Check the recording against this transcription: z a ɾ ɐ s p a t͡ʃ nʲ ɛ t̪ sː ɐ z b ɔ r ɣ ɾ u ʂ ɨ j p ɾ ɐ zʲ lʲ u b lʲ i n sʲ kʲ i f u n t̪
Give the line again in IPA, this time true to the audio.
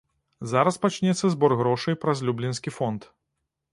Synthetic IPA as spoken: z a ɾ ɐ s p a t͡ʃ nʲ ɛ t̪ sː ɐ z b ɔ r ɣ ɾ ɔ ʂ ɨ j p ɾ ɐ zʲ lʲ u b lʲ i n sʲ kʲ i f ɔ n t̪